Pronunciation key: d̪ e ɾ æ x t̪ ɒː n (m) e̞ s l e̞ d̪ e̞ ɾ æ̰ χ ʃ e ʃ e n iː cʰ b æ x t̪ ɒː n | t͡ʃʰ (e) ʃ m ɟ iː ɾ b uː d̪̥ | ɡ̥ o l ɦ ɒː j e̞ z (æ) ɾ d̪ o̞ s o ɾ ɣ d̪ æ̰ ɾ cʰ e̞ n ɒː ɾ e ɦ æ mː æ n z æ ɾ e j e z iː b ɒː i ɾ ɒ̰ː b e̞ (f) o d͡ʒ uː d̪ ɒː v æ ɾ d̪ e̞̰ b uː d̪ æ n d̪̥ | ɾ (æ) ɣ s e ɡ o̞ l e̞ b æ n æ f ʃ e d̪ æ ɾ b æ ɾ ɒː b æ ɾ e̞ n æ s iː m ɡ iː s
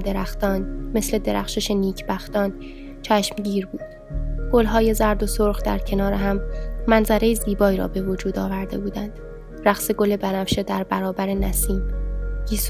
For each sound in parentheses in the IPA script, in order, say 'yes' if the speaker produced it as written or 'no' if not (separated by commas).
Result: yes, no, yes, no, yes